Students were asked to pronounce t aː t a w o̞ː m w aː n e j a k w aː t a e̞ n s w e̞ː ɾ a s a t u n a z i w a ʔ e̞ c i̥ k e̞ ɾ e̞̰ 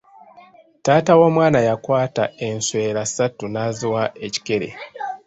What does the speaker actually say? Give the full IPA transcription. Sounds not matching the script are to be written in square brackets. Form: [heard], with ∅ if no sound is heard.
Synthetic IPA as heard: t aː t a w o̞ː m w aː n [a] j a k w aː t a e̞ n s w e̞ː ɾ a s a t u n a z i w a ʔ e̞ c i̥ k e̞ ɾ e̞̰